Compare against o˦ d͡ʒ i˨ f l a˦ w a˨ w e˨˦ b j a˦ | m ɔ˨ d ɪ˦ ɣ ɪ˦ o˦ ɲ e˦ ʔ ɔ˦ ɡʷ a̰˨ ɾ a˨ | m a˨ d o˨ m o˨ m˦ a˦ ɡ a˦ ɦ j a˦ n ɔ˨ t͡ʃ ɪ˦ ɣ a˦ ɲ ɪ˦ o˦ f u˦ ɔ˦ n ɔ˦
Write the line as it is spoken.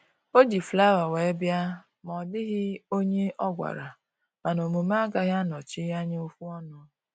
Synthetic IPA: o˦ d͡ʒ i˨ f l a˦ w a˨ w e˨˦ b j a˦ | m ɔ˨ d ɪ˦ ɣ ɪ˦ o˦ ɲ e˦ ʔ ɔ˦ ɡʷ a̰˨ ɾ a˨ | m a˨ n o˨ m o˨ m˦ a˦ ɡ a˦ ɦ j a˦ n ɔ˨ t͡ʃ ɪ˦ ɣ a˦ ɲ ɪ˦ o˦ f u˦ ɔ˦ n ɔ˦